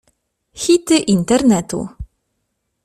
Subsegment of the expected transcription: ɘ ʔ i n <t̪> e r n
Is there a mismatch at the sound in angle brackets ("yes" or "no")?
no